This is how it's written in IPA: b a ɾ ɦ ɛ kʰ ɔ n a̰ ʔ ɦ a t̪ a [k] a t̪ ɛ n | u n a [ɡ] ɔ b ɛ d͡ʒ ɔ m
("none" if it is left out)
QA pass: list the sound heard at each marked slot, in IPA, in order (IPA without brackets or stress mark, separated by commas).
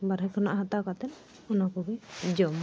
k, k